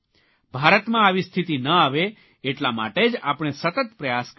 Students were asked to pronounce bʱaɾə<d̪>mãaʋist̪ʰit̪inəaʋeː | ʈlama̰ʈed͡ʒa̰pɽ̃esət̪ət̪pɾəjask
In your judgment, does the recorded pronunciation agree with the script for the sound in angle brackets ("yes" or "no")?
no